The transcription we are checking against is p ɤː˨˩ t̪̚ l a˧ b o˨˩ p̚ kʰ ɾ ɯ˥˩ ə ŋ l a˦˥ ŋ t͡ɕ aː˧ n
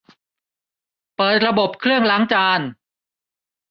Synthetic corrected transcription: p ɤː˨˩ t̪̚ ɾ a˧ b o˨˩ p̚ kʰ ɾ ɯ˥˩ ə ŋ l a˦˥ ŋ t͡ɕ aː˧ n